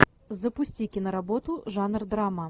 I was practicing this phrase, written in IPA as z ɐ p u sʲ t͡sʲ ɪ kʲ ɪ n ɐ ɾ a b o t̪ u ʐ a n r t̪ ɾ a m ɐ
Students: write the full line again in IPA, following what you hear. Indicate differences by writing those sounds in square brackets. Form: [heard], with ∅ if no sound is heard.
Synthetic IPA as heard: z ɐ p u sʲ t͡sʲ [i] kʲ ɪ n ɐ ɾ a b [ɔ] t̪ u ʐ a n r [d̪] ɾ a m ɐ